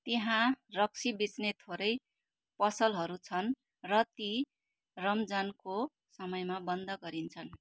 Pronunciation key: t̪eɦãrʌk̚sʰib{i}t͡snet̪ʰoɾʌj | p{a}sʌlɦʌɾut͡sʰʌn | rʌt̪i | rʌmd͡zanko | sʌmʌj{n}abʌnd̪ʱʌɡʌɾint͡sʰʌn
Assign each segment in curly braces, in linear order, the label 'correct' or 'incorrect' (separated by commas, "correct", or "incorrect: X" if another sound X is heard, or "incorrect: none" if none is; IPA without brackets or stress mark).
correct, incorrect: ʌ, incorrect: m